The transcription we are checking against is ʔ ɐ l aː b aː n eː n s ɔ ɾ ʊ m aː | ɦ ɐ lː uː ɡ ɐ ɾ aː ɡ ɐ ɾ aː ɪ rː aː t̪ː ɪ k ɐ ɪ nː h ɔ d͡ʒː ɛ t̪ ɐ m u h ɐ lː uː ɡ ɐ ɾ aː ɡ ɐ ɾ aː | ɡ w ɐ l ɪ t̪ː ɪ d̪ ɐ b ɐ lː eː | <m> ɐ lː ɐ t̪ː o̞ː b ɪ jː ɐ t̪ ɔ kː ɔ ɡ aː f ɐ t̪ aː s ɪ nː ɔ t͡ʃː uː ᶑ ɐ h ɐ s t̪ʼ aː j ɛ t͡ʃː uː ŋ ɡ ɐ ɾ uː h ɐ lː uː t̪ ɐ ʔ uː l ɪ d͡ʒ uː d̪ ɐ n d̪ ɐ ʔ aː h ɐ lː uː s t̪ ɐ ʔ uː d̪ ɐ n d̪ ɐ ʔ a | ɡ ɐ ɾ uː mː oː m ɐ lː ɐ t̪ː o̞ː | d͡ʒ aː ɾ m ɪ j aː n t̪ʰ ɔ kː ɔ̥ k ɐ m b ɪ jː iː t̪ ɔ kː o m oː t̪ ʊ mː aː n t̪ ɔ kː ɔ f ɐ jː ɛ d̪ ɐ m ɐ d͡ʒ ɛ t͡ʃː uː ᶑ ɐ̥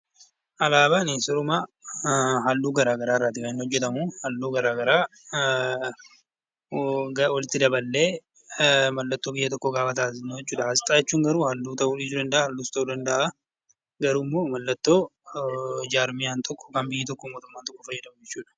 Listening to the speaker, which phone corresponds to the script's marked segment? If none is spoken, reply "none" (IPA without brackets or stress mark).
m